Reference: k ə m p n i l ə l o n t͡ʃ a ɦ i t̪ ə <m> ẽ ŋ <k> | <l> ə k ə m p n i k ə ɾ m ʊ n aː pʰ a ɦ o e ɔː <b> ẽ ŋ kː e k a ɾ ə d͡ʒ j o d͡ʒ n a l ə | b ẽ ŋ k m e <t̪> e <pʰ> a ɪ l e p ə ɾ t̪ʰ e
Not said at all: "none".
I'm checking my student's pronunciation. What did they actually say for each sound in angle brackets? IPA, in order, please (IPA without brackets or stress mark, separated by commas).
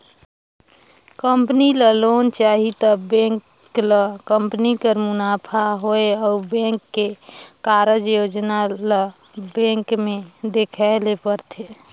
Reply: b, k, l, b, d̪, kʰ